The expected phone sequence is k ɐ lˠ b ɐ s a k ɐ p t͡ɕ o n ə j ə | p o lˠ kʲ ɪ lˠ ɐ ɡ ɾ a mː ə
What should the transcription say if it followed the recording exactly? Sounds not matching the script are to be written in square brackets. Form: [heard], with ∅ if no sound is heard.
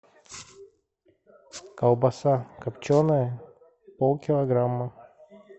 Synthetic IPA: k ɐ lˠ b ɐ s a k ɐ p t͡ɕ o n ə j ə | p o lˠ kʲ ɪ lˠ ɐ ɡ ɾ a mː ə